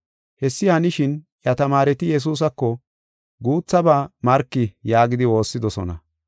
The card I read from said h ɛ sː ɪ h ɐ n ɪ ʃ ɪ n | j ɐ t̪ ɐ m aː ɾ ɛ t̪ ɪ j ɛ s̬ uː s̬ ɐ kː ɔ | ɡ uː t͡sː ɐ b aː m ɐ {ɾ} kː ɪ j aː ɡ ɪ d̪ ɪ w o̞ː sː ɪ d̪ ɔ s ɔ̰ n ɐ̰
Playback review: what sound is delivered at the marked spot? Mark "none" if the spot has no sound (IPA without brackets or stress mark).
ɾ